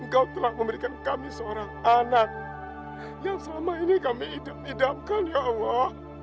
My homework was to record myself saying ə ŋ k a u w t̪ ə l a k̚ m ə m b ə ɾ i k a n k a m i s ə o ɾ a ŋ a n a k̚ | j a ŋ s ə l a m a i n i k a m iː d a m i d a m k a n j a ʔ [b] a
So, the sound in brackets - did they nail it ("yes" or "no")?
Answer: no